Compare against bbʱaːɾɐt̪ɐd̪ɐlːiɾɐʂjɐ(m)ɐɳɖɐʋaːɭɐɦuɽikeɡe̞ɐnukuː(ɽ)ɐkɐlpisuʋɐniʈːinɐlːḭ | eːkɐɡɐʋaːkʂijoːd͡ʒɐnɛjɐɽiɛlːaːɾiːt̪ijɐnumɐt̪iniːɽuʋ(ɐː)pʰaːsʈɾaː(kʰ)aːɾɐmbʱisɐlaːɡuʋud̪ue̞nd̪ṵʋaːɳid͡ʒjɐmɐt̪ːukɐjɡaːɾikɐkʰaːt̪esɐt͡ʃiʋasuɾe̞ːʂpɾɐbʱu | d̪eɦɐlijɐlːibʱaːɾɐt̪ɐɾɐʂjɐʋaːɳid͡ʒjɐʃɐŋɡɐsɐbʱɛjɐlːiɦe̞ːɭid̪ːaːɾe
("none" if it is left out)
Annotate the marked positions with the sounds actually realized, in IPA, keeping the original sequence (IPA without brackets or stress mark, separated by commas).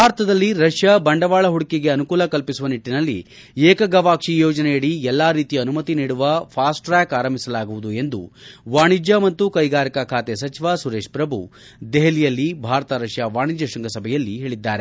b, l, ɐ, k